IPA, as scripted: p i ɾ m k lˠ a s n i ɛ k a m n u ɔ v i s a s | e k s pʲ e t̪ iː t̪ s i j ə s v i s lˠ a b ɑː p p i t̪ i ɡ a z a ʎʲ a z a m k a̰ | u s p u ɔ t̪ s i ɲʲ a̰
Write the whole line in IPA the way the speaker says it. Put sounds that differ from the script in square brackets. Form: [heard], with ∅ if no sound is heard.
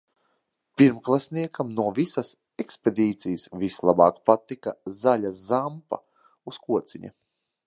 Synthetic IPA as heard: p i ɾ m k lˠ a s n i ɛ k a m n u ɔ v i s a s | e k s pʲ e [d̪] iː t̪ s i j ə s v i s lˠ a b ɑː [k] p [a] t̪ i [k] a z a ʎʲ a z a m [p] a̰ | u s [k] u ɔ t̪ s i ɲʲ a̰